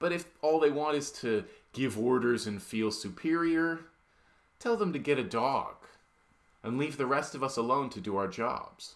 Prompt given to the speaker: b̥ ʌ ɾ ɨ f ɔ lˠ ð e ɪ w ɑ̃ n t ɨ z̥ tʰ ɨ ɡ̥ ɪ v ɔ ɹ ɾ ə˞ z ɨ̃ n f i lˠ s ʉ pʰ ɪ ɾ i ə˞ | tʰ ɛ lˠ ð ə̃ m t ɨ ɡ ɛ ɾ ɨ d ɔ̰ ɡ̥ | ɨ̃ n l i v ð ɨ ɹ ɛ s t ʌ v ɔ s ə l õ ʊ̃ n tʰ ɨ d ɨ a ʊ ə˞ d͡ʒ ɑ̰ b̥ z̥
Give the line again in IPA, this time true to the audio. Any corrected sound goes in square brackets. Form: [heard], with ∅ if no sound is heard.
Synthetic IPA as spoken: b̥ ʌ ɾ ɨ f ɔ lˠ ð e ɪ w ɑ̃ n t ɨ z̥ tʰ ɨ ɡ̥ ɪ v ɔ ɹ ɾ ə˞ z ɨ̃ n f i lˠ s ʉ pʰ ɪ [ɹ] i ə˞ | tʰ ɛ lˠ ð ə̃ m t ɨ ɡ ɛ ɾ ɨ d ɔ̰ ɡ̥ | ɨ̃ n l i v ð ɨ ɹ ɛ s t ʌ v [ʌ] s ə l õ ʊ̃ n tʰ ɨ d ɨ a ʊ ə˞ d͡ʒ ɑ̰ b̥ z̥